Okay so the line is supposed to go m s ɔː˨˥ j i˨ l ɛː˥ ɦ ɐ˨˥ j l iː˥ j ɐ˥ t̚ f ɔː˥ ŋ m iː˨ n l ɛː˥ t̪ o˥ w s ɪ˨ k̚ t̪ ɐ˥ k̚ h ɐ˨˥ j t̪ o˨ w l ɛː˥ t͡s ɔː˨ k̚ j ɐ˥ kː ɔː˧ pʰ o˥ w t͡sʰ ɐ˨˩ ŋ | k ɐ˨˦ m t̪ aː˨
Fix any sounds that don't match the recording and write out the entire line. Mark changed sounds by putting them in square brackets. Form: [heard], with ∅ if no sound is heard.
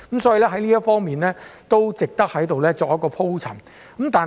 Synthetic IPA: m s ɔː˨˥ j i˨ l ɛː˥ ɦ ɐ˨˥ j l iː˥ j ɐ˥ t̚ f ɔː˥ ŋ m iː˨ n l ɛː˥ t̪ o˥ w [t͡s] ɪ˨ k̚ t̪ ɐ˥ k̚ h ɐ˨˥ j t̪ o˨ w l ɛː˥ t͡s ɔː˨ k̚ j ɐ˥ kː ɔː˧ pʰ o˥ w t͡sʰ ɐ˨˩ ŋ | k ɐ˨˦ m t̪ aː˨